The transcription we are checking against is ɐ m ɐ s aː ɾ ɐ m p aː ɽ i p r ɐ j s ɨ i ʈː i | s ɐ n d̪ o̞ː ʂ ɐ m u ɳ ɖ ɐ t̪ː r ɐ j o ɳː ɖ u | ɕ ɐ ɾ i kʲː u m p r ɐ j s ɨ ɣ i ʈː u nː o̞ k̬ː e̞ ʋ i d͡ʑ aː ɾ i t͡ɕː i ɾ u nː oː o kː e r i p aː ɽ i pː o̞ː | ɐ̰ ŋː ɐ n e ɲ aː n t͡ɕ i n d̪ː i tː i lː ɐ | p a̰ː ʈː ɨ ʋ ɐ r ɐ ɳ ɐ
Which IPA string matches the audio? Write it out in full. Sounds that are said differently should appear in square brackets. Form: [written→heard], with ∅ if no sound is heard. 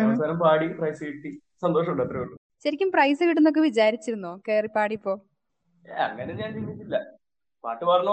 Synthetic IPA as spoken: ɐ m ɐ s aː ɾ ɐ m p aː ɽ i p r ɐ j s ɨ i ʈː i | s ɐ n d̪ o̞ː ʂ ɐ m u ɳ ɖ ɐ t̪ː r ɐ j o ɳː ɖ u | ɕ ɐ ɾ i kʲː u m p r ɐ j s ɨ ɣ i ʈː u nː o̞ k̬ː e̞ ʋ i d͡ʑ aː ɾ i t͡ɕː i ɾ u nː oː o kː e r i p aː ɽ i pː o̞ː | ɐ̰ ŋː ɐ n e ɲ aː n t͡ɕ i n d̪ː i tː i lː ɐ | p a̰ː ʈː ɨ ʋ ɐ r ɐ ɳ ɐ